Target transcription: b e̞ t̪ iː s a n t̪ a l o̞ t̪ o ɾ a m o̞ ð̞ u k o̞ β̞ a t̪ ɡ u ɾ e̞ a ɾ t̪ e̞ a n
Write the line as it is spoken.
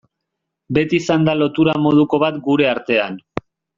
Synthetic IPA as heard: b e̞ t̪ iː s a n d̪ a l o̞ t̪ u ɾ a m o̞ ð̞ u k o̞ β̞ a t̪ ɡ u ɾ e̞ a ɾ t̪ e̞ a n